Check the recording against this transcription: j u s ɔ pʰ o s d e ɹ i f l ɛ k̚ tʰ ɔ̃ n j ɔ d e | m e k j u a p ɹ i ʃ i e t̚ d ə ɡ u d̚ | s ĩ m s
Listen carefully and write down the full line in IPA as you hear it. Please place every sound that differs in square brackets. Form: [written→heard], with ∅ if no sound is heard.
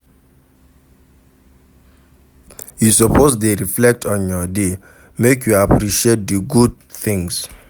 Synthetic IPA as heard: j u s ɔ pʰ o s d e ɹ i f l ɛ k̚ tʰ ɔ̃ n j ɔ d e | m e k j u a p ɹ i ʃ i e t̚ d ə ɡ u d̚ | [s→θ] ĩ [m→ŋ] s